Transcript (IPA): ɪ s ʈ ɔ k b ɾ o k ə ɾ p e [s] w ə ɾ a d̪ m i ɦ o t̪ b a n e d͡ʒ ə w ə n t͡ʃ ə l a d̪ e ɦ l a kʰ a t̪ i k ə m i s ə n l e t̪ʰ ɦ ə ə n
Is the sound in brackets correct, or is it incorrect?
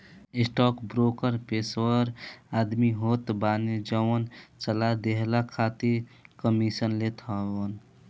correct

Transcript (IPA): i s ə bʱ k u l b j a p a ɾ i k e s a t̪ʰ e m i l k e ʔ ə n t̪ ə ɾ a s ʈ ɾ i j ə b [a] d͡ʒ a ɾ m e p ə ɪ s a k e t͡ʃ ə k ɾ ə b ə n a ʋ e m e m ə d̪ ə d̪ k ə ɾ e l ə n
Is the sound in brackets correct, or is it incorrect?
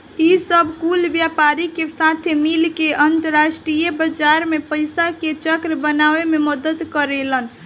incorrect: ə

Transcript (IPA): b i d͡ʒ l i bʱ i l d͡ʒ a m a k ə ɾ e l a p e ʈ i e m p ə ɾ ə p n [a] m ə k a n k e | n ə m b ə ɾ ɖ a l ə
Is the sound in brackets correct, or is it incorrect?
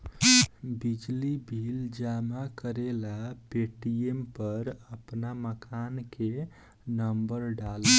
correct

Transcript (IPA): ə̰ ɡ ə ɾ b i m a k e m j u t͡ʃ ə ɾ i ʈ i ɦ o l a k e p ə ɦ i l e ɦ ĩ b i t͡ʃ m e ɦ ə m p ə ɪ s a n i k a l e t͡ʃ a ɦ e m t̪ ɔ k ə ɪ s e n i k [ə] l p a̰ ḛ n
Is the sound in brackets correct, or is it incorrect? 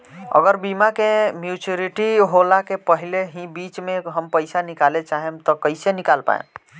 incorrect: a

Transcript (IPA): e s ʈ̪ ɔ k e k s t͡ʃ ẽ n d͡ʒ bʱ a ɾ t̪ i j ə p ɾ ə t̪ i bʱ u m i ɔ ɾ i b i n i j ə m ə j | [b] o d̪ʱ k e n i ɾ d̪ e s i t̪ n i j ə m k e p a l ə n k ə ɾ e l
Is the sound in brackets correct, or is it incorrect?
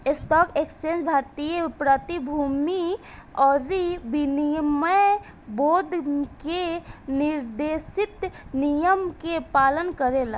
correct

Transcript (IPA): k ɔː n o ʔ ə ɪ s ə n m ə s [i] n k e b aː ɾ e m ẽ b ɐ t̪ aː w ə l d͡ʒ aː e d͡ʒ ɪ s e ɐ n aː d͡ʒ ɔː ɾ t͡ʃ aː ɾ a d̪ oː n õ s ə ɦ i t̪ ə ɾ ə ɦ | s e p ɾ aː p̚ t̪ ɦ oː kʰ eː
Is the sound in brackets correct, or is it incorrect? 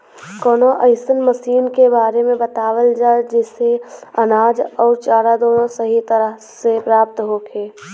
incorrect: iː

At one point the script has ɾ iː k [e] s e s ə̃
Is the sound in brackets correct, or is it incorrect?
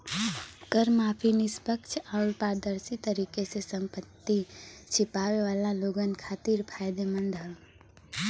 correct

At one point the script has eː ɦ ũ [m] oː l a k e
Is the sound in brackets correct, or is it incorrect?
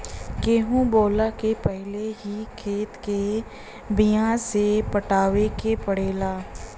incorrect: b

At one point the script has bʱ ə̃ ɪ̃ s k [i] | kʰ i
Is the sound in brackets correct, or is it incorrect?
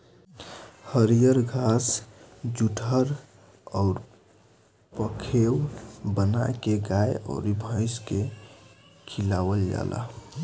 incorrect: e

